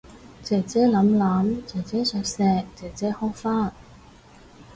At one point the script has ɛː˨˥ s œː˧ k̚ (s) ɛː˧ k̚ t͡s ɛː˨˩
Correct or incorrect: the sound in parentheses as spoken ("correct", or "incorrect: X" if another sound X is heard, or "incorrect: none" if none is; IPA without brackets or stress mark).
correct